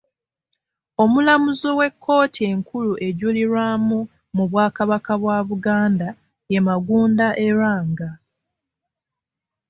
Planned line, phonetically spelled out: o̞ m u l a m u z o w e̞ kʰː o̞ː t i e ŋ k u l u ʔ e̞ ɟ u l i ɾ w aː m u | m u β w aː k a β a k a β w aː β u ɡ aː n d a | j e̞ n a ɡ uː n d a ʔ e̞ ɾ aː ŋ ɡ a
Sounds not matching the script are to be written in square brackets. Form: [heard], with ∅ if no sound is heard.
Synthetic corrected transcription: o̞ m u l a m u z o w e̞ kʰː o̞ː t i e ŋ k u l u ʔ e̞ ɟ u l i ɾ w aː m u | m u β w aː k a β a k a β w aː β u ɡ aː n d a | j e̞ [m] a ɡ uː n d a ʔ e̞ ɾ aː ŋ ɡ a